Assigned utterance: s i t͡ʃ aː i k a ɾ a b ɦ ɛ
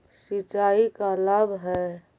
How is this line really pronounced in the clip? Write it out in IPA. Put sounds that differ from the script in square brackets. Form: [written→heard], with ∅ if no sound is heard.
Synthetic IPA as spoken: s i t͡ʃ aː i k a [ɾ→l] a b ɦ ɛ